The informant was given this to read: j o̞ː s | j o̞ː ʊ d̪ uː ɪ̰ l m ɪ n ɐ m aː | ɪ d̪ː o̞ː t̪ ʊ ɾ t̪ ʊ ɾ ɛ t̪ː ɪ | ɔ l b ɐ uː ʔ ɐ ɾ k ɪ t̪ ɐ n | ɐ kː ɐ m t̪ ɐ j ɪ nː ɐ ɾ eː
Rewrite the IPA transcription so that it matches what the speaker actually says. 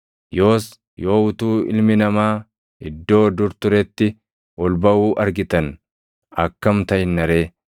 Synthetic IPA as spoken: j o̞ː s | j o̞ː ʊ t̪ uː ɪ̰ l m ɪ n ɐ m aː | ɪ d̪ː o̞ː d̪ ʊ ɾ t̪ ʊ ɾ ɛ t̪ː ɪ | ɔ l b ɐ uː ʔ ɐ ɾ ɡ ɪ t̪ ɐ n | ɐ kː ɐ m t̪ ɐ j ɪ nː ɐ ɾ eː